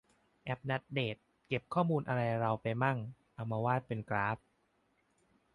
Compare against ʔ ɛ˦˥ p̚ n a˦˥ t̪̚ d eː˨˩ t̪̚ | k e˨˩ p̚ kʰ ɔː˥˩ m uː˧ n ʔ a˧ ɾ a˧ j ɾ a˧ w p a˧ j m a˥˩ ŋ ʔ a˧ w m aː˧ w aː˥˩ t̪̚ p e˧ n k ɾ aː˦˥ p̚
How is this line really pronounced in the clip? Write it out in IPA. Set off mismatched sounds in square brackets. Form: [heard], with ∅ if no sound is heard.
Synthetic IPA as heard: ʔ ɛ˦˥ p̚ n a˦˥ t̪̚ d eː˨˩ t̪̚ | k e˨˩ p̚ kʰ ɔː˥˩ m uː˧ n ʔ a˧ ɾ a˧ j ɾ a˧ w p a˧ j m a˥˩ ŋ ʔ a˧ w m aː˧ w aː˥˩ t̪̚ p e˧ n k ɾ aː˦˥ p̚

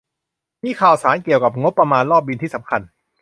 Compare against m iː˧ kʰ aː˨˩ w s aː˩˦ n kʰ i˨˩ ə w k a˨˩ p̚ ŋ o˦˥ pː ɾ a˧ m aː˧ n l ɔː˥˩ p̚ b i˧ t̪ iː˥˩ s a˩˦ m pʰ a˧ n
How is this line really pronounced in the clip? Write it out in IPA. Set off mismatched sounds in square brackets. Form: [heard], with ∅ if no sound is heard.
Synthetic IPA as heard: m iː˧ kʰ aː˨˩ w s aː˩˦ n [k] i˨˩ ə w k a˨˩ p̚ ŋ o˦˥ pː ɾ a˧ m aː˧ n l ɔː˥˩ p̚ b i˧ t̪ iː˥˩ s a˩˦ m [kʰ] a˧ n

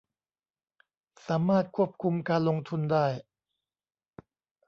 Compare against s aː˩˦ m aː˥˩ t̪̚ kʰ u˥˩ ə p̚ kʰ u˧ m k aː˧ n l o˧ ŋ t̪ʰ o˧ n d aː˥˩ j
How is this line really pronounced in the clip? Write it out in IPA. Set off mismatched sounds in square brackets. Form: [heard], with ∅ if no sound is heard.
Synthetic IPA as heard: s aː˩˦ m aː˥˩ t̪̚ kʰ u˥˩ ə p̚ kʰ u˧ m k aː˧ n l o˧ ŋ t̪ʰ [u˧] n d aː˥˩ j

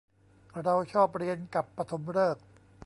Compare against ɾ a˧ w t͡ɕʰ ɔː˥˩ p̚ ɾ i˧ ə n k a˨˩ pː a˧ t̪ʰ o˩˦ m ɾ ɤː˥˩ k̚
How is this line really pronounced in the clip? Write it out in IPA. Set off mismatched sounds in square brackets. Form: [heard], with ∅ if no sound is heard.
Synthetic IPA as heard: ɾ a˧ w t͡ɕʰ ɔː˥˩ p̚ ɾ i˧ ə n k a˨˩ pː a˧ t̪ʰ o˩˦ m ɾ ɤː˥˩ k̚

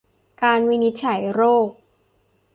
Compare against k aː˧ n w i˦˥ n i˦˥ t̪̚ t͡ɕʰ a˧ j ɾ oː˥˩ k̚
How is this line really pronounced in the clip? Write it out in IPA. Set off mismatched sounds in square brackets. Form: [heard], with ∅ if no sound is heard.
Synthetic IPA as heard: k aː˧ n w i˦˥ n i˦˥ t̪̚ t͡ɕʰ [a˩˦] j ɾ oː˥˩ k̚

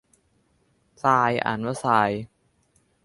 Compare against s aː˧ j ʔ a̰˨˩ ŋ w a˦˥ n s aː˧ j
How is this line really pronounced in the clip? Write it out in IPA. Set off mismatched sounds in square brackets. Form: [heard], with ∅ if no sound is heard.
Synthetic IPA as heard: s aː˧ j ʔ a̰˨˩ [n] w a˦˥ [∅] s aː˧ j

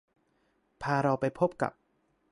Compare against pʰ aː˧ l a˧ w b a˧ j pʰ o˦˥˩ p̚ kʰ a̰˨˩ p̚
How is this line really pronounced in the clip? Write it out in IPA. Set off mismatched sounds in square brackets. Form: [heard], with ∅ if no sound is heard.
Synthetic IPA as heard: pʰ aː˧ [ɾ] a˧ w [p] a˧ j pʰ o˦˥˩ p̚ [k] a̰˨˩ p̚

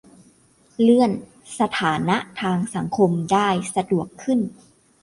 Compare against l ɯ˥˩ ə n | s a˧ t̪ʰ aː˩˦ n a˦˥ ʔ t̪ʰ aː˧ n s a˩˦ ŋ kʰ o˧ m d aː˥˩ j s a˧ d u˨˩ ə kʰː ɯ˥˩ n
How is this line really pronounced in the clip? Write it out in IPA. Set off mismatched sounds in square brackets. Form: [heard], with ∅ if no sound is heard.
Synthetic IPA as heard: l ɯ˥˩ ə n | s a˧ t̪ʰ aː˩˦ n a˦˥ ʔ t̪ʰ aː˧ [ŋ] s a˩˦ ŋ kʰ o˧ m d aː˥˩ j s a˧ d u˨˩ ə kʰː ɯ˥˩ n

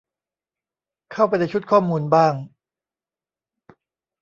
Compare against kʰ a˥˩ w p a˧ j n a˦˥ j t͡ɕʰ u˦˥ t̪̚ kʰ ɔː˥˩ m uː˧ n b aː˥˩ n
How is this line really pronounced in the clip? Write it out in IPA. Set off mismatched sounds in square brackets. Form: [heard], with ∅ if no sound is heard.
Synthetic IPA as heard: kʰ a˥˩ w p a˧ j n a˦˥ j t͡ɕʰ u˦˥ t̪̚ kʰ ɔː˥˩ m uː˧ n b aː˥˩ [ŋ]

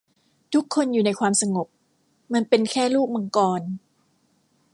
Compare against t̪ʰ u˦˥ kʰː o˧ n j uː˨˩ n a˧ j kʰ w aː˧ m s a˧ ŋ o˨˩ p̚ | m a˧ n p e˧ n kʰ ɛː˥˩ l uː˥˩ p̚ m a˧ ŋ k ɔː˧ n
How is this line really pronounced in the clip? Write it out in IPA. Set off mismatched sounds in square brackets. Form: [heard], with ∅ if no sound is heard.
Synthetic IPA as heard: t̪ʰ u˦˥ kʰː o˧ n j uː˨˩ n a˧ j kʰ w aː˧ m s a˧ ŋ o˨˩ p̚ | m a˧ n p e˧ n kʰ ɛː˥˩ l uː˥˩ [k̚] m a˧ ŋ k ɔː˧ n

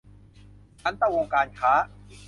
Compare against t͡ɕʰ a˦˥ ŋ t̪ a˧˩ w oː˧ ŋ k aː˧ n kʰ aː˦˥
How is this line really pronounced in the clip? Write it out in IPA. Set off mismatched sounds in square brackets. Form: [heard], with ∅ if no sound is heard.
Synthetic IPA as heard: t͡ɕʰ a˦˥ [n] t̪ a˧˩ w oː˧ ŋ k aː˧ n kʰ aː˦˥

